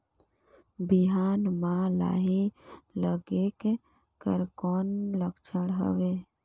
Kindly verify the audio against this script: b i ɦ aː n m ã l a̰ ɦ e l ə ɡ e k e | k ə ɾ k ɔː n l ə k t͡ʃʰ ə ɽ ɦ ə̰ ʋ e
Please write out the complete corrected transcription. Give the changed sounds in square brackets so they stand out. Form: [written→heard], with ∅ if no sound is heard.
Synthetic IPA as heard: b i ɦ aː n m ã l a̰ ɦ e l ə ɡ e k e | k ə ɾ k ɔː n l ə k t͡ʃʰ ə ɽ ɦ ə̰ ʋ e